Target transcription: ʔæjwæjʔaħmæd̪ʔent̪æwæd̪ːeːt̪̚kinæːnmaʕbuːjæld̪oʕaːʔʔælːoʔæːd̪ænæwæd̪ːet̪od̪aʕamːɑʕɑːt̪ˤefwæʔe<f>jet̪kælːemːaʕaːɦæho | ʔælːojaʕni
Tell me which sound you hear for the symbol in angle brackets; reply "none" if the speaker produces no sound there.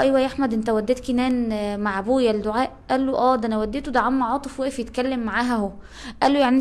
f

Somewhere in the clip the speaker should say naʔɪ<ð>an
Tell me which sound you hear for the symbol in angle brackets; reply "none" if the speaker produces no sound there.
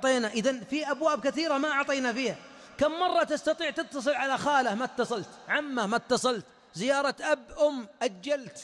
ð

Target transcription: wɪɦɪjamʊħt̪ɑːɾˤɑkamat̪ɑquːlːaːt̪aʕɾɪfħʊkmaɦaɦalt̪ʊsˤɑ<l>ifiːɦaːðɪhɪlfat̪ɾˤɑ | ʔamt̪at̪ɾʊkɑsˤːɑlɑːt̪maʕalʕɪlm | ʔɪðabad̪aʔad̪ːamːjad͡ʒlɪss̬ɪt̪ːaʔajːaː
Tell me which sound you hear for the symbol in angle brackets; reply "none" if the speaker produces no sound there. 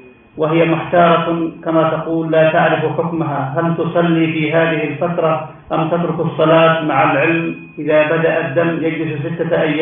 lː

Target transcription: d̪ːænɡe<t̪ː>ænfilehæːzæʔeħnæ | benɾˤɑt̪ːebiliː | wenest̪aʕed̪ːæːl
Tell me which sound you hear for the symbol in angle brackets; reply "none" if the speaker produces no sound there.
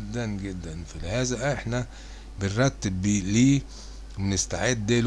d̪ː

